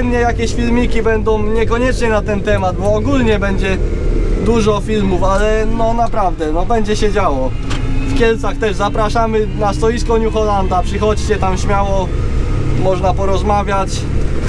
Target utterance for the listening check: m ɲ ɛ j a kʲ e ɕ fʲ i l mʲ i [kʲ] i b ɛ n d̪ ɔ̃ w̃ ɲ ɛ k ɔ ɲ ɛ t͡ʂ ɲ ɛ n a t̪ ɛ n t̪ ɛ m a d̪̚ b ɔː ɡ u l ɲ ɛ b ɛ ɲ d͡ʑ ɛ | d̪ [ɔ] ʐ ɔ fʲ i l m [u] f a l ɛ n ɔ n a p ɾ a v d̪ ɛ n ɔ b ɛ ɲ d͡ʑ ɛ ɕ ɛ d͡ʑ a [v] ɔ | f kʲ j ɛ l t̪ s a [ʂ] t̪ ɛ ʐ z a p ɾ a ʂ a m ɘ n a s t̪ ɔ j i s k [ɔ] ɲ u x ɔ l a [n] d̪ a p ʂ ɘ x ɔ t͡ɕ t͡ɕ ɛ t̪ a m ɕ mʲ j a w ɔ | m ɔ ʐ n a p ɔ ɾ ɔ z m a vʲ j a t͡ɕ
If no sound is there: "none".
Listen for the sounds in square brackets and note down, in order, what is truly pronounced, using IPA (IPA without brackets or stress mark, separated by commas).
kʲ, u, u, w, x, ɔ, n